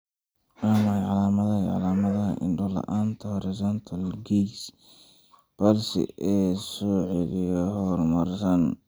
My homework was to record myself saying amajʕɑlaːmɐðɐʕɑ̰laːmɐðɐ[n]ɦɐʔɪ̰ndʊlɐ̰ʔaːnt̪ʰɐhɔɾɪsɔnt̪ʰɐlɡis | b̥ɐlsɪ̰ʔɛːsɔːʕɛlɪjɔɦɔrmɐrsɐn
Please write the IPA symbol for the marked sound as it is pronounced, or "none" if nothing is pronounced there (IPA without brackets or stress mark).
none